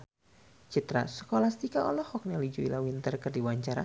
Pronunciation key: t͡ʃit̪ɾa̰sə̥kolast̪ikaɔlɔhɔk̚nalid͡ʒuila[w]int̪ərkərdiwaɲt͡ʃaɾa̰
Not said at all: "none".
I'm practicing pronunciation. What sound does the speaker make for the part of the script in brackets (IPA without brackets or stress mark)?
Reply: w